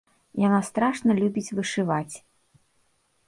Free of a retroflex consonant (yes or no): no